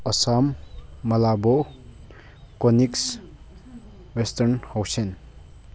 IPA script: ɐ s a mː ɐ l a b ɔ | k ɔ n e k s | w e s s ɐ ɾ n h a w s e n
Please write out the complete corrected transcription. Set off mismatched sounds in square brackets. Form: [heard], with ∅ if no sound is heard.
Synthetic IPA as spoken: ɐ s a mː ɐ l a b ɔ | k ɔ n [i] k s | w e s [t] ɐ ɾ n h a w s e n

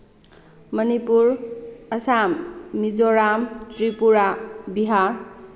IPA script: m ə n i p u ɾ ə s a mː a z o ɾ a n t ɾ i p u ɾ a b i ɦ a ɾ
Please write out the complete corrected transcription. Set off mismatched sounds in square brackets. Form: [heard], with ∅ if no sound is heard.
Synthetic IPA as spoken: m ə n i p u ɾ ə s a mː [i] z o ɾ a [m] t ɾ i p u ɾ a b i ɦ a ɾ

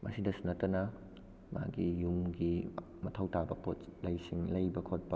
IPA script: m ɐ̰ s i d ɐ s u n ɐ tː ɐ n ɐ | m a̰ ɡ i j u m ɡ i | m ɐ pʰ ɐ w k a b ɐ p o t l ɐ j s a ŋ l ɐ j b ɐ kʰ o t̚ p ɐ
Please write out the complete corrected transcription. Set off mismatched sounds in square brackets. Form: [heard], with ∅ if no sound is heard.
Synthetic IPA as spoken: m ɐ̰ s i d ɐ s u n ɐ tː ɐ n ɐ | m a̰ ɡ i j u m ɡ i | m ɐ [tʰ] ɐ w [t] a b ɐ p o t l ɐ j s [i] ŋ l ɐ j b ɐ kʰ o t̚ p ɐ

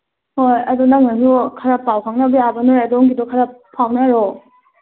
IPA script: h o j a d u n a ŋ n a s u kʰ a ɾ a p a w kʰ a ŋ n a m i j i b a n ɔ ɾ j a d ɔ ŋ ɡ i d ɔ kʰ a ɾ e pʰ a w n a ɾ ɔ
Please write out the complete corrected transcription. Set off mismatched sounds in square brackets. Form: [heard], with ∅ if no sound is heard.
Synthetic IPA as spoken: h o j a d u n a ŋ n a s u kʰ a ɾ a p a w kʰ a ŋ n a [b] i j [a] b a n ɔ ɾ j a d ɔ ŋ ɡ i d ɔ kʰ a ɾ [a] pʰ a w n a ɾ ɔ

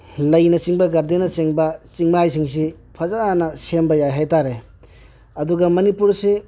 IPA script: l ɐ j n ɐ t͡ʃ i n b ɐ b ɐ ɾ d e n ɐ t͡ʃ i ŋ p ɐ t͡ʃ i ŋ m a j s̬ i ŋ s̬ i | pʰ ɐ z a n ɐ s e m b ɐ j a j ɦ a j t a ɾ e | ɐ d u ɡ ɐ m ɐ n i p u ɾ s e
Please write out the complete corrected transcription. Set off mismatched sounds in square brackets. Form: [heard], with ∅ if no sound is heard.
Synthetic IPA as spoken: l ɐ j n ɐ t͡ʃ i [ŋ] b ɐ [ɡ] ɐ ɾ d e n ɐ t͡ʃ [e] ŋ [b] ɐ t͡ʃ i ŋ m a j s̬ i ŋ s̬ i | pʰ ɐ z a n ɐ s e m b ɐ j a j ɦ a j t a ɾ e | ɐ d u ɡ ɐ m ɐ n i p u ɾ s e

